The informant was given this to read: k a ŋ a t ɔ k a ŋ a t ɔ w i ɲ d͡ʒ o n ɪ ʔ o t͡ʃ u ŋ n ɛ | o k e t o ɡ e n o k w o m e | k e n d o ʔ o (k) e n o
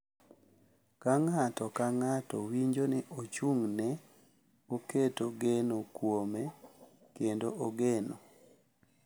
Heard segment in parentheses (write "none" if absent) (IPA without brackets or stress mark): ɡ